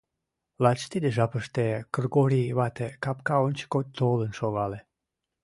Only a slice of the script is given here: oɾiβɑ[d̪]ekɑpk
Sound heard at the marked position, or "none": t̪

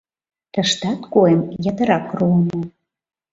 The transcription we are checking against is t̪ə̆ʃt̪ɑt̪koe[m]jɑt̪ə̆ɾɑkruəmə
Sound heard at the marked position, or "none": m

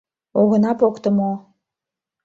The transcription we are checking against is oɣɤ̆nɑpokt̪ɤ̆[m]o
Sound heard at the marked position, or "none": m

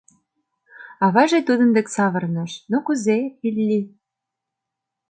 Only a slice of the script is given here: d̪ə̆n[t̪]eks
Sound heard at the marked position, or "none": d̪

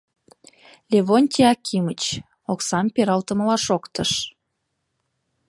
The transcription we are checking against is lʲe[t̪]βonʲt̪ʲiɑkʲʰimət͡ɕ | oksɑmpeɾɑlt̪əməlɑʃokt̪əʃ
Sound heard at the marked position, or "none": none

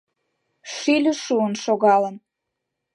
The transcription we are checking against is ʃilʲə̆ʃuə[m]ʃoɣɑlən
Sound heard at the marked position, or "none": n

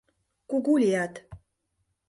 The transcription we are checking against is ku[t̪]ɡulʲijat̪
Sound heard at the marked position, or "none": none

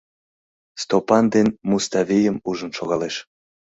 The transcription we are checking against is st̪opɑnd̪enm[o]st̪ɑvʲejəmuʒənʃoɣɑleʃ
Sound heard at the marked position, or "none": u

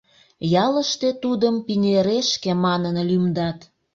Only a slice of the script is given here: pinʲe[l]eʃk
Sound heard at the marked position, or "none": ɾ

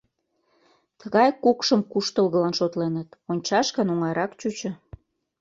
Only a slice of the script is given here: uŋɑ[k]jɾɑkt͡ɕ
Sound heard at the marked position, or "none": none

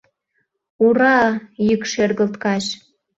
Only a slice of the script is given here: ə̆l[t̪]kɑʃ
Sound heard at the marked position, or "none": t̪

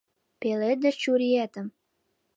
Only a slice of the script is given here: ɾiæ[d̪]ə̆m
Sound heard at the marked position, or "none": t̪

